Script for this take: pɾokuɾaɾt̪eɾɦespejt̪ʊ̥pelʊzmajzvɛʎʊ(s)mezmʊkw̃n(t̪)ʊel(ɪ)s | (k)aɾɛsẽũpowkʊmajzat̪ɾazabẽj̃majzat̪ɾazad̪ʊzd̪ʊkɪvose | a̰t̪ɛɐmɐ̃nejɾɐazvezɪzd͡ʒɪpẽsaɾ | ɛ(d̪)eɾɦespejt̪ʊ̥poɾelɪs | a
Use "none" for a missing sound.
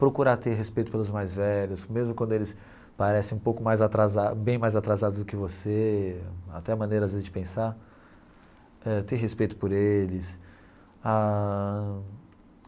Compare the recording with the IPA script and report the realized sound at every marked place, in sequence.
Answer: s, d̪, ɪ, p, t̪

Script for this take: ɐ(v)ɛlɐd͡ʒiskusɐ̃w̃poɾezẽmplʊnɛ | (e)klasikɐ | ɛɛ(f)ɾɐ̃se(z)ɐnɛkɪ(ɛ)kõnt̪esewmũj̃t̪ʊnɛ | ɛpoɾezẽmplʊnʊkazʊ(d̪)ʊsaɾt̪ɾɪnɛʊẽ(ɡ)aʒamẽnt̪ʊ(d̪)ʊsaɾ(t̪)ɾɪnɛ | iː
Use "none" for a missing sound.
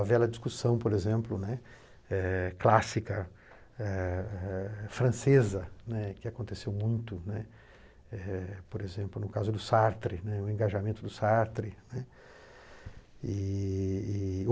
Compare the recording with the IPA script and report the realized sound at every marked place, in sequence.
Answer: v, ɛ, f, z, a, d̪, ɡ, d̪, t̪

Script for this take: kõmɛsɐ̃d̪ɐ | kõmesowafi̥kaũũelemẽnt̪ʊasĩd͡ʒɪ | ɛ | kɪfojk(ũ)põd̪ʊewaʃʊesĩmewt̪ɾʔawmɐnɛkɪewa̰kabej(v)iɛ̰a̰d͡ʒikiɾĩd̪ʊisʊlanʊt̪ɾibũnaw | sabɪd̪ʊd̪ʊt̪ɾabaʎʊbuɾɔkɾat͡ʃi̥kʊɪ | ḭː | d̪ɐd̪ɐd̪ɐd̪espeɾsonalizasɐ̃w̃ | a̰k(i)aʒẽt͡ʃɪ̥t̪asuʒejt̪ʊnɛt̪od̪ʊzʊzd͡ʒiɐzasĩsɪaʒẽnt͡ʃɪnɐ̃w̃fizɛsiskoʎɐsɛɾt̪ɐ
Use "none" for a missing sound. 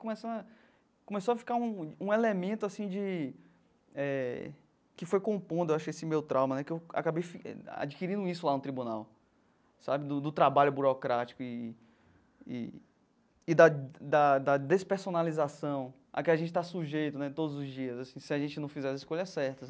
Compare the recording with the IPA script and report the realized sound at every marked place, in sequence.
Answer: õ, f, ɪ

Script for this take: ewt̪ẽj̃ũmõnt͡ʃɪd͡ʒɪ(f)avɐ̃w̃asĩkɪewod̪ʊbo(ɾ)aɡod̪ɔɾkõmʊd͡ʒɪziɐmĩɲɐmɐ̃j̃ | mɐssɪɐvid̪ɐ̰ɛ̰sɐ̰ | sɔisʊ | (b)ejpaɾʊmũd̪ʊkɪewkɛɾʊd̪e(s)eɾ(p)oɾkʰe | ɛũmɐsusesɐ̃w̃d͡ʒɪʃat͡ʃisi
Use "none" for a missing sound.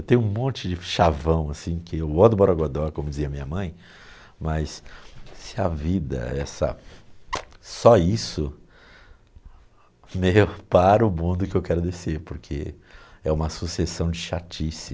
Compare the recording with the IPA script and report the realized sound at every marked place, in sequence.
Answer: ʃ, ɾ, m, s, p

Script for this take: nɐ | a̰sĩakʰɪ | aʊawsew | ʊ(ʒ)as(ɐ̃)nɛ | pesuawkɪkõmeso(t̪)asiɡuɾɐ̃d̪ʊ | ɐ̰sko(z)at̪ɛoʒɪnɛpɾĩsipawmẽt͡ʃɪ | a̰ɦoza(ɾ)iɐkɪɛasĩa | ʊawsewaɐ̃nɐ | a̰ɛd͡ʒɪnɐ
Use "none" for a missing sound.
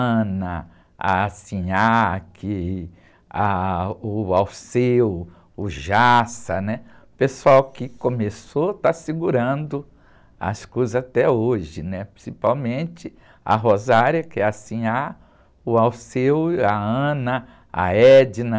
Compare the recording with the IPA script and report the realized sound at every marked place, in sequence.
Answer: ʒ, ɐ, t̪, z, ɾ

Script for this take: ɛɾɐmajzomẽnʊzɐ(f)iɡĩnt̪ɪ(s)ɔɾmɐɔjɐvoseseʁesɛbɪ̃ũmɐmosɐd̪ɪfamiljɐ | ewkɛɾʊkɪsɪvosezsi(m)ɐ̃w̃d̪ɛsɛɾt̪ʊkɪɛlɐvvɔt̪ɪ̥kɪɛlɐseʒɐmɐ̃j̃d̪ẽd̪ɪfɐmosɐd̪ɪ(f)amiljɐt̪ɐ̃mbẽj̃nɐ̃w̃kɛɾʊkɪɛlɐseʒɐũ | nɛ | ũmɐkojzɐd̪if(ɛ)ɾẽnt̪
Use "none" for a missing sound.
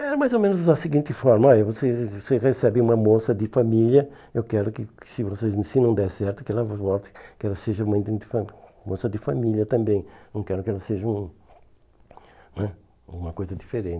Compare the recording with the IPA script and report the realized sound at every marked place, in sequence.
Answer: s, f, n, f, e

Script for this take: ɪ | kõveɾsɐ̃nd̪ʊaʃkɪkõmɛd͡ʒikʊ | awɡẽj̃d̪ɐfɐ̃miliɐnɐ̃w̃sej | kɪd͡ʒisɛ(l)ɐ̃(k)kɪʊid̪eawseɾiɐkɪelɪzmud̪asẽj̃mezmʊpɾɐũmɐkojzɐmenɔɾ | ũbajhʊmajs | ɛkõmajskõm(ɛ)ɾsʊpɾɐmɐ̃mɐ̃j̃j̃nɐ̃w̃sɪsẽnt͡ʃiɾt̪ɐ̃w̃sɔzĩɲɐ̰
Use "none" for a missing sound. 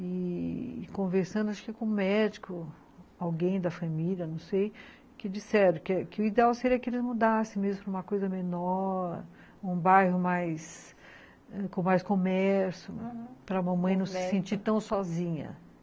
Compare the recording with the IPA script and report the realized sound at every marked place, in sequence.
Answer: ɾ, k, ɛ

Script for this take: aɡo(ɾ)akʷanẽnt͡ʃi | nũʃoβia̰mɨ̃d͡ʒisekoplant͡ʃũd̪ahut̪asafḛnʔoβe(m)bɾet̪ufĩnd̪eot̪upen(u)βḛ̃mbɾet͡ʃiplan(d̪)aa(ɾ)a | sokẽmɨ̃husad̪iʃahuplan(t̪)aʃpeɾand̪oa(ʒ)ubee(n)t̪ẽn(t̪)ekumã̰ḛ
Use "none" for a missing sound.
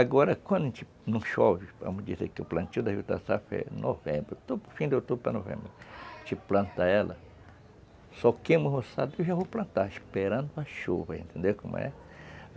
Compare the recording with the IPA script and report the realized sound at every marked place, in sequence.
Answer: ɾ, m, o, t̪, l, t̪, ʃ, n, d̪

